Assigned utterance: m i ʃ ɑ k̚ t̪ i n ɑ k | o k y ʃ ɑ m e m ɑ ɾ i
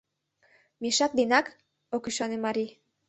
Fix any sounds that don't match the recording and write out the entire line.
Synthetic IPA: m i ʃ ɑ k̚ d̪ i n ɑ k | o k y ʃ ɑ n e m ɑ ɾ i